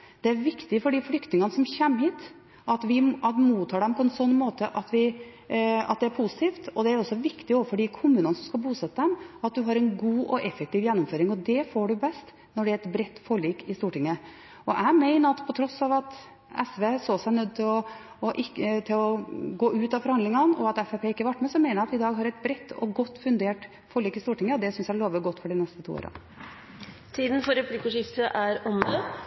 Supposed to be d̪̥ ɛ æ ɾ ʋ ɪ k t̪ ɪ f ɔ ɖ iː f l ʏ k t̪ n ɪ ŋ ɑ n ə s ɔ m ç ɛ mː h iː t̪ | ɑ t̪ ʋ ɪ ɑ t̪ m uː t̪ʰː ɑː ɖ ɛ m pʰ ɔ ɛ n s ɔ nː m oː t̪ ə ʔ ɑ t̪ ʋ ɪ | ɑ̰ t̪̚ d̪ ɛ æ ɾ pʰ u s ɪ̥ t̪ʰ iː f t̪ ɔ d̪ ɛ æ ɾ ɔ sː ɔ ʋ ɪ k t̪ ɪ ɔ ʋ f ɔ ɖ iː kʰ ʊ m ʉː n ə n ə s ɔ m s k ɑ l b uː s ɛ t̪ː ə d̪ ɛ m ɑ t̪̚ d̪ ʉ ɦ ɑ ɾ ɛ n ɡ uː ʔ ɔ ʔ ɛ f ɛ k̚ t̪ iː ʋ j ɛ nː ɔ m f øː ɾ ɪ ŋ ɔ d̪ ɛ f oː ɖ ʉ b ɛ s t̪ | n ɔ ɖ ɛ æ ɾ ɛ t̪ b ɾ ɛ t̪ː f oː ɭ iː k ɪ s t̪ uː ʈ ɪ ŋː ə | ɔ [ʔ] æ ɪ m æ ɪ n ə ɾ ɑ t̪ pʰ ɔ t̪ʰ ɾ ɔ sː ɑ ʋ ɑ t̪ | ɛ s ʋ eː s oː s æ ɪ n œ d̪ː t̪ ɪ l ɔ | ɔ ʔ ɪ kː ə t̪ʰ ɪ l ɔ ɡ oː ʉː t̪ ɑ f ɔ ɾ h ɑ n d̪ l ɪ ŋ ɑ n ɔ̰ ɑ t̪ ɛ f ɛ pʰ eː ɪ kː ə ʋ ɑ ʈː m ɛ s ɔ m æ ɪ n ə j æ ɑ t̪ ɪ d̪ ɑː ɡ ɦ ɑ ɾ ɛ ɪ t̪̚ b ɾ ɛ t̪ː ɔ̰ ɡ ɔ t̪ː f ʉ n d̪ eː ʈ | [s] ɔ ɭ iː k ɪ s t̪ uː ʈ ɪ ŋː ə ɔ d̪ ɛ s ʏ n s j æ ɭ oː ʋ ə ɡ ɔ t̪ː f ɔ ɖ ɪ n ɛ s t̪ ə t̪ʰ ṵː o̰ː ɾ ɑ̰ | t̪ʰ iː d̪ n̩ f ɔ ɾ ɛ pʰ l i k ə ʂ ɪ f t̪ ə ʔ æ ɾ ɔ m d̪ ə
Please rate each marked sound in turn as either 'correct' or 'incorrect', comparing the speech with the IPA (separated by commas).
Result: correct, incorrect